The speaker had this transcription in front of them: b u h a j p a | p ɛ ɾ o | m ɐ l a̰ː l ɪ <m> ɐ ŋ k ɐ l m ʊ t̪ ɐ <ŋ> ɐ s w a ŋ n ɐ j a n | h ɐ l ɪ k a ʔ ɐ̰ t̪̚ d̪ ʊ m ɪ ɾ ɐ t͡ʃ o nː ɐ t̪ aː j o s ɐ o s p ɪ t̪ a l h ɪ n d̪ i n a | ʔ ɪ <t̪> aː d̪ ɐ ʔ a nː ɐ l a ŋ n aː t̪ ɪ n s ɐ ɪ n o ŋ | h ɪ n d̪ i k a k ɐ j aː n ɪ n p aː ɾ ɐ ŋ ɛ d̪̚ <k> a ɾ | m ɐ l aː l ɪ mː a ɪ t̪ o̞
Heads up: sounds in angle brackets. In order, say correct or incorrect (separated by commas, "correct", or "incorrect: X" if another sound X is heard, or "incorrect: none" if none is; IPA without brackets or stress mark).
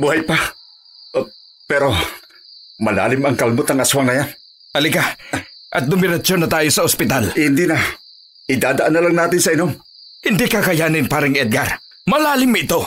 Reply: correct, correct, incorrect: d̪, incorrect: ɡ